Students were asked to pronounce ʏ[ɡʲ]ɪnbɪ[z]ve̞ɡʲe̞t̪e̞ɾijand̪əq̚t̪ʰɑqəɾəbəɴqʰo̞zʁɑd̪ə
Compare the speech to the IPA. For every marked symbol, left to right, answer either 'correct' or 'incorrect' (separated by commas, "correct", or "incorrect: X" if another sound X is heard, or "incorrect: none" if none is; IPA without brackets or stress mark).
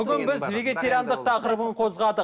correct, correct